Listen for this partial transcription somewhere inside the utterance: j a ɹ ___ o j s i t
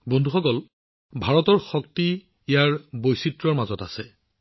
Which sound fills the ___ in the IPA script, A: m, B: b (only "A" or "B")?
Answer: B